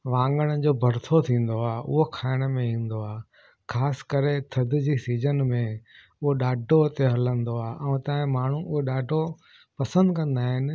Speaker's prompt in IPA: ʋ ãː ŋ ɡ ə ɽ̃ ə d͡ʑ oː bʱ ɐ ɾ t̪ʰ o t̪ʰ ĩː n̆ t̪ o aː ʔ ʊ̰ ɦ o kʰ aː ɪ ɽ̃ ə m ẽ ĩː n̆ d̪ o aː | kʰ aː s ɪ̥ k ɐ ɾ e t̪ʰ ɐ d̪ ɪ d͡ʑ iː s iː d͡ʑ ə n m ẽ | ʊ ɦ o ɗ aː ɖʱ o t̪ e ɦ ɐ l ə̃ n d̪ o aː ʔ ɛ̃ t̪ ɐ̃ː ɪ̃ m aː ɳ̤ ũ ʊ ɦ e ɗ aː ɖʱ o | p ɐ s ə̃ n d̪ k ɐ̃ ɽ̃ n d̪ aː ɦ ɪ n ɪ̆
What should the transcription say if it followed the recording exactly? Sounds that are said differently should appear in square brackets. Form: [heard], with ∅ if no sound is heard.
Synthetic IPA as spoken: ʋ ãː ŋ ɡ ə ɽ̃ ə d͡ʑ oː bʱ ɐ ɾ t̪ʰ o t̪ʰ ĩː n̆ [d̪] o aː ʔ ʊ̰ ɦ o kʰ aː ɪ ɽ̃ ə m ẽ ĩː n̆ d̪ o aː | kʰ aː s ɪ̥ k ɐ ɾ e t̪ʰ ɐ d̪ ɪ d͡ʑ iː s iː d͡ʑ ə n m ẽ | ʊ ɦ o ɗ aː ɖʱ o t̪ e ɦ ɐ l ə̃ n d̪ o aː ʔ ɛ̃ t̪ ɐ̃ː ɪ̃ m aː ɳ̤ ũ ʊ ɦ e ɗ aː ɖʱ o | p ɐ s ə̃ n d̪ k ɐ̃ [∅] n d̪ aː ɦ ɪ n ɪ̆